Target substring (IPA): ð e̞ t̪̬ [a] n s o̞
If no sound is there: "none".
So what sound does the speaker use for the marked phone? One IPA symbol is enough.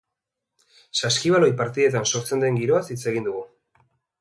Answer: a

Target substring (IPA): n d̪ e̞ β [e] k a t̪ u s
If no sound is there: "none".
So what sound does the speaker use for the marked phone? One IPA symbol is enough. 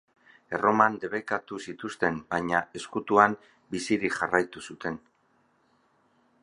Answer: e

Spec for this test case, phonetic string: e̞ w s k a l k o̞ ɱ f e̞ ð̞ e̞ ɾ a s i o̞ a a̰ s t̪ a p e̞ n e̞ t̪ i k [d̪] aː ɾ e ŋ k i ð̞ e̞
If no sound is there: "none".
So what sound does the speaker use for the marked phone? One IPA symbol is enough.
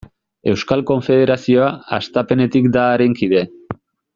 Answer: d̪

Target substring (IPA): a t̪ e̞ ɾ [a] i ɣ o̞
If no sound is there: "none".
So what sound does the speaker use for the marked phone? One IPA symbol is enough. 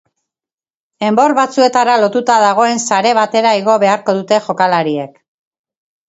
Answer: a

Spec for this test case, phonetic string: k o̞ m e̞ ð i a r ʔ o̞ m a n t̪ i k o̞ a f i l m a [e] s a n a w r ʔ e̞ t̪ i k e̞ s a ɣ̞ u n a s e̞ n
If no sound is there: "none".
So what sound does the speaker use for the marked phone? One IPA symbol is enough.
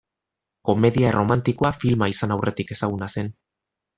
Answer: i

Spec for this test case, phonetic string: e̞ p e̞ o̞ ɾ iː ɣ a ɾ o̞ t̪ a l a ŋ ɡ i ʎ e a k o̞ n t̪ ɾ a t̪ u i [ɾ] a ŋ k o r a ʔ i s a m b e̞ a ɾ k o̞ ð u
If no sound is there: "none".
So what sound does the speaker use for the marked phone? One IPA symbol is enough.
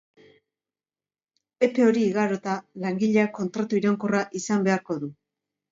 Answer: ɾ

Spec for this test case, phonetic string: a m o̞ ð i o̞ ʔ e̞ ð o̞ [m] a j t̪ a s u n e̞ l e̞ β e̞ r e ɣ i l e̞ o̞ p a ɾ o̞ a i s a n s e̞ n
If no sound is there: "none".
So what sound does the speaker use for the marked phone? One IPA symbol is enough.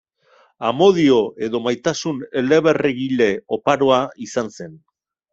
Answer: m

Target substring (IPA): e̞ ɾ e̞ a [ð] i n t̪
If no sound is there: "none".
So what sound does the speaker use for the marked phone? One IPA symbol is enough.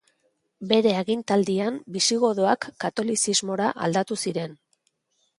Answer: ɣ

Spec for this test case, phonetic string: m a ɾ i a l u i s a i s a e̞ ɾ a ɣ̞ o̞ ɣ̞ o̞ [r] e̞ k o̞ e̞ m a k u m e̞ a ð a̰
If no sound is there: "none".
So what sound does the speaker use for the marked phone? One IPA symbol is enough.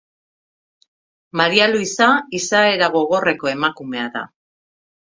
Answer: r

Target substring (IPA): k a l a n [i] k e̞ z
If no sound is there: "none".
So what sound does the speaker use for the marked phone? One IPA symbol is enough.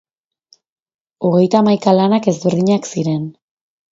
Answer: a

